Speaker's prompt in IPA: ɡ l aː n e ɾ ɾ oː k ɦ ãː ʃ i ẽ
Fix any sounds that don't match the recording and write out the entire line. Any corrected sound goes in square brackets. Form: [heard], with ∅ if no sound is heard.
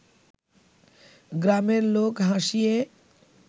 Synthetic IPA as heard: ɡ [ɾ] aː [m] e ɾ [l] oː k ɦ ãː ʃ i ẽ